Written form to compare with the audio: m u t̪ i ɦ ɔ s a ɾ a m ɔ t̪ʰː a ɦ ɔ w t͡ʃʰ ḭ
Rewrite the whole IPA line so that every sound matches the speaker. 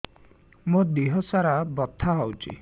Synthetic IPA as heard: m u d̪ i ɦ ɔ s a ɾ a b ɔ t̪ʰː a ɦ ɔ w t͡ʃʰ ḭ